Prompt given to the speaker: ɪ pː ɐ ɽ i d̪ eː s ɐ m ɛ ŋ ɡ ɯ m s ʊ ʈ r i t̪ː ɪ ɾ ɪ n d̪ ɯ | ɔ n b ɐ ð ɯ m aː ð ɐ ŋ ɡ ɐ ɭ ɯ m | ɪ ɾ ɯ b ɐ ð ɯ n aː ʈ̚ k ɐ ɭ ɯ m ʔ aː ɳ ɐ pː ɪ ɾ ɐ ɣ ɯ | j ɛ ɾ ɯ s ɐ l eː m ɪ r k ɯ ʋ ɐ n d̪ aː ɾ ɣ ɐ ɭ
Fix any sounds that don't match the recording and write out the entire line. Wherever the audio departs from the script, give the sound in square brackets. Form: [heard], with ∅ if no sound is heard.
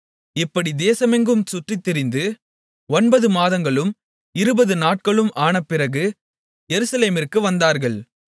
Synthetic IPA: ɪ pː ɐ ɽ i d̪ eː s ɐ m ɛ ŋ ɡ ɯ m s ʊ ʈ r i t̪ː ɪ ɾ ɪ n d̪ ɯ | ɔ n b ɐ ð ɯ m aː ð ɐ ŋ ɡ ɐ ɭ ɯ m | ɪ ɾ ɯ b ɐ ð ɯ n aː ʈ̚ k ɐ ɭ ɯ m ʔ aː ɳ ɐ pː ɪ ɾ ɐ ɣ ɯ | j ɛ ɾ ɯ s ɐ l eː m ɪ r k ɯ ʋ ɐ n d̪ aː ɾ ɣ ɐ ɭ